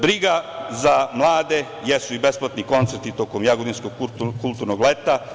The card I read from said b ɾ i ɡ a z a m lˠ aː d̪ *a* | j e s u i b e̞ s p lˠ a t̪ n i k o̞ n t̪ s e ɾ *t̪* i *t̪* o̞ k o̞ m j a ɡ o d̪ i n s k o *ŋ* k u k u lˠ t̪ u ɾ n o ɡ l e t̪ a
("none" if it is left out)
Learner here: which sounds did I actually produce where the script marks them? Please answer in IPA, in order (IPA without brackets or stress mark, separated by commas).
e, t̪, t̪, ɡ